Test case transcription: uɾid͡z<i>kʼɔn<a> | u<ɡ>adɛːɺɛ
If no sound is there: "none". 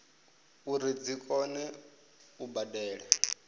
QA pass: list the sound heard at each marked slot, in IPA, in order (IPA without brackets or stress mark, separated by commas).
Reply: i, ɛ, b